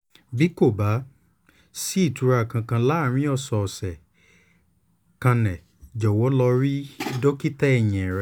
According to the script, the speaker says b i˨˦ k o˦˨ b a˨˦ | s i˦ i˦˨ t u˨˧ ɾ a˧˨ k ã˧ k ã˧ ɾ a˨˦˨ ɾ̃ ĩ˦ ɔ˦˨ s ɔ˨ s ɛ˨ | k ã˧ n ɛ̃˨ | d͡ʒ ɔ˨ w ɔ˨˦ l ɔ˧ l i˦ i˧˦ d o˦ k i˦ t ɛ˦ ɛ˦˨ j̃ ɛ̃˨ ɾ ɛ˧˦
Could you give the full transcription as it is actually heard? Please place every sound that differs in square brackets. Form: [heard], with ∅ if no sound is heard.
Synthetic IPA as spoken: b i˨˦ k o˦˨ b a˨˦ | s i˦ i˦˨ t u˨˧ ɾ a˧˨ k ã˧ k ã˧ [l] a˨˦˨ ɾ̃ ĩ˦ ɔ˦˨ s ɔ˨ s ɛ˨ | k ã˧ n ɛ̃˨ | d͡ʒ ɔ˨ w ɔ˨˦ l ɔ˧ [ɾ] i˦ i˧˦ d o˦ k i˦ t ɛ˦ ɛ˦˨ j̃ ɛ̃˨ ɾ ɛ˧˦